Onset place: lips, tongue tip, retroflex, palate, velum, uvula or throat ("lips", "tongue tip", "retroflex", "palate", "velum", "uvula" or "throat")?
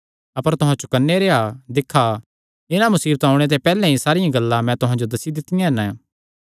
lips